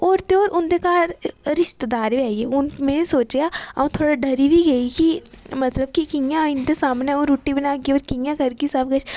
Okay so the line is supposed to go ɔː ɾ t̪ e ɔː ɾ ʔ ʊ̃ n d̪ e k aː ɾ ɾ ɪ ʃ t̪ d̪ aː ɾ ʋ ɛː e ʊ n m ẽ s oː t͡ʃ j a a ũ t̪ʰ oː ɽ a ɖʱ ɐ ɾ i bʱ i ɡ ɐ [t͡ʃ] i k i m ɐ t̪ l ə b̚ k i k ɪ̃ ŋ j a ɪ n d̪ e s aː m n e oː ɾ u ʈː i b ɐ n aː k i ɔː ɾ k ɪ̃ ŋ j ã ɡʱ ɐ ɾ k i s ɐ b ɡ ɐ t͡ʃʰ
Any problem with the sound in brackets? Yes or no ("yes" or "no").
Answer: yes